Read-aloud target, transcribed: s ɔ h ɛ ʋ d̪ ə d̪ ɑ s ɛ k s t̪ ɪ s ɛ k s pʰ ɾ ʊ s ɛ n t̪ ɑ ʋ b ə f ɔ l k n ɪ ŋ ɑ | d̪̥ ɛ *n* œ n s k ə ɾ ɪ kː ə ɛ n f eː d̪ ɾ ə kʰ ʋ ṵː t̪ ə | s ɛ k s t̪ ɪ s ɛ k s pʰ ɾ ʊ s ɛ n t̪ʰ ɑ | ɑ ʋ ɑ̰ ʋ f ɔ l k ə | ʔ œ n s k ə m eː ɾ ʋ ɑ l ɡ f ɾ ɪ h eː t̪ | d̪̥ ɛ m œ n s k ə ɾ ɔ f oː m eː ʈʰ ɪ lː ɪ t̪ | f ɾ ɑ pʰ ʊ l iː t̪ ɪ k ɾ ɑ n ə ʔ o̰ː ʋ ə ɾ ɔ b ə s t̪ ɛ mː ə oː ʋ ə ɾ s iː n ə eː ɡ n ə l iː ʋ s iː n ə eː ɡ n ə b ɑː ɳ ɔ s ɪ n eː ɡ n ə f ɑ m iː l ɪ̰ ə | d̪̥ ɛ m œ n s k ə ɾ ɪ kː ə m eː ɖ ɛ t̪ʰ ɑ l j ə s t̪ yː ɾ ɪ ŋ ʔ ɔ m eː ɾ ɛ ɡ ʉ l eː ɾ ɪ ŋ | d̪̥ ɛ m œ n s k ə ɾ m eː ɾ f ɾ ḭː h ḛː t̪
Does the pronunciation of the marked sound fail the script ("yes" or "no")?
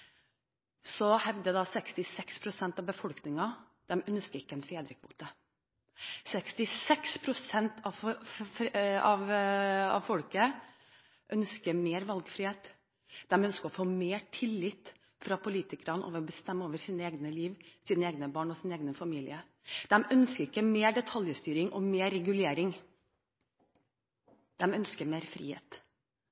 yes